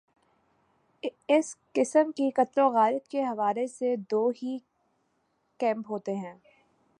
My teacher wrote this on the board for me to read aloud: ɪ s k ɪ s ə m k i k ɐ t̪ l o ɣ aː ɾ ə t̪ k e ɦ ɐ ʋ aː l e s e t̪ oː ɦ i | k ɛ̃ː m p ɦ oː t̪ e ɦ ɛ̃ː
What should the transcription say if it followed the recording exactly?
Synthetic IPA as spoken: ɪ s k ɪ s ə m k i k ɐ t̪ l o ɣ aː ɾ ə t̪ k e ɦ ɐ ʋ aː l e s e d̪ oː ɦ i | k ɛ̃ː m p ɦ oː t̪ e ɦ ɛ̃ː